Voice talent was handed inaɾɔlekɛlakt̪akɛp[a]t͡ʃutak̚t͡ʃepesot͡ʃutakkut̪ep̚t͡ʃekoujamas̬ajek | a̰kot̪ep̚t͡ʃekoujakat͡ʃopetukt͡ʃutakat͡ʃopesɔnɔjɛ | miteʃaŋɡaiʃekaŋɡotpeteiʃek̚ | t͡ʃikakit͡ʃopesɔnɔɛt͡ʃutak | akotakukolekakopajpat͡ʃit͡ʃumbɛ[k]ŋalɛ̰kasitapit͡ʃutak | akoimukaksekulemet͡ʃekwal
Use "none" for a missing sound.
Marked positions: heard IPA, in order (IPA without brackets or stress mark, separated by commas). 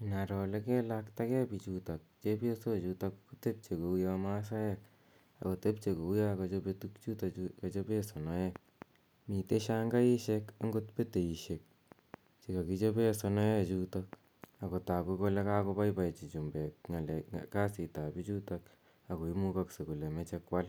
i, k